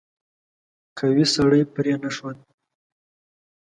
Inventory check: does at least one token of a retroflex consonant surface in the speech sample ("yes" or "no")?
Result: yes